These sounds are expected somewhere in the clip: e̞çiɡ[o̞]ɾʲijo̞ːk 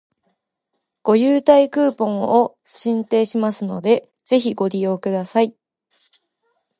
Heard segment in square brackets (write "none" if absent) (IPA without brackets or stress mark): o̞